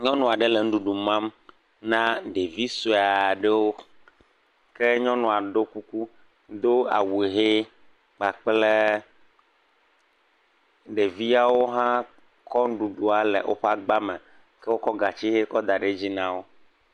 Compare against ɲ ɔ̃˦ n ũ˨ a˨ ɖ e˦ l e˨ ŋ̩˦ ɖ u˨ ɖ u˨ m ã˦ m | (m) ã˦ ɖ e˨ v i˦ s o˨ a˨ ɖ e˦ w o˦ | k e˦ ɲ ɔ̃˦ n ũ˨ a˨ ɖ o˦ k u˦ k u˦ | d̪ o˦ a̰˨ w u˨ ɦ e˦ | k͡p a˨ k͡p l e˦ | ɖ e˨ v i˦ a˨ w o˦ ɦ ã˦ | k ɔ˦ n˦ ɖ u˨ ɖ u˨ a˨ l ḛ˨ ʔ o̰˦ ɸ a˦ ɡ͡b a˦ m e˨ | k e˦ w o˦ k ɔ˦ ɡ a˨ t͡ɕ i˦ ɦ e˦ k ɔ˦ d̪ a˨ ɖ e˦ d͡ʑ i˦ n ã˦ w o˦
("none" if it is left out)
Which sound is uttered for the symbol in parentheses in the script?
n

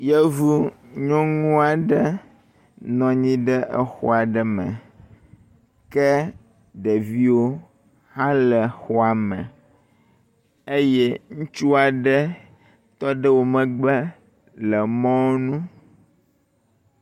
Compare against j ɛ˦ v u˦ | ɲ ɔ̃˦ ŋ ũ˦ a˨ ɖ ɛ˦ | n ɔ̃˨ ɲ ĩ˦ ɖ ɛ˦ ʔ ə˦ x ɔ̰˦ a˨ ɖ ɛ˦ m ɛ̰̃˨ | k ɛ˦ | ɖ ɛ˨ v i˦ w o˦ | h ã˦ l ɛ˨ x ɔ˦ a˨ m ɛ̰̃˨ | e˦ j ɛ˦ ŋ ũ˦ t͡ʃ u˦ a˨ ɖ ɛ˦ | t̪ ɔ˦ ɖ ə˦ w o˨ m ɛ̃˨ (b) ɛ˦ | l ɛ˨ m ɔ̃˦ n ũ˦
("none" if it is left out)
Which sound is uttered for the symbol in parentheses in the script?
ɡ͡b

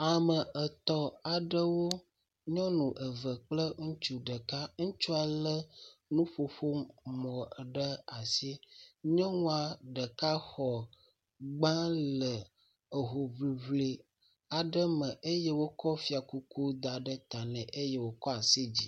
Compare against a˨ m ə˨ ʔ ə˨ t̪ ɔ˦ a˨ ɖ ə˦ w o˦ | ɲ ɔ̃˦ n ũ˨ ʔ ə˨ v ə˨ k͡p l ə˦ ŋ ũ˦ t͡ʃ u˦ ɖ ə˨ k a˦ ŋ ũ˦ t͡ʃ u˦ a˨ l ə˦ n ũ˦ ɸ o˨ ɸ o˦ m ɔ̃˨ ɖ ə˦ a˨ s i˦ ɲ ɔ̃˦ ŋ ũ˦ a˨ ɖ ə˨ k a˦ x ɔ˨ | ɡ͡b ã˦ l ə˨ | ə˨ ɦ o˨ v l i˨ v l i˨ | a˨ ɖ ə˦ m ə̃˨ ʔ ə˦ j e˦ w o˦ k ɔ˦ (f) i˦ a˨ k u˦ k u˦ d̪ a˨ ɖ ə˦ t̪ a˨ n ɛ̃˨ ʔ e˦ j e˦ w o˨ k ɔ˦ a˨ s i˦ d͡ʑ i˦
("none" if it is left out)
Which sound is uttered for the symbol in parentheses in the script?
f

